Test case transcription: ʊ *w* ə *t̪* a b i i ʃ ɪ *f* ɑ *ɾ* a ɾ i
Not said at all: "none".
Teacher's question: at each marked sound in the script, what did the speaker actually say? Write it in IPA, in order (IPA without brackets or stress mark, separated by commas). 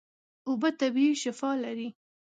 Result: b, t̪, f, l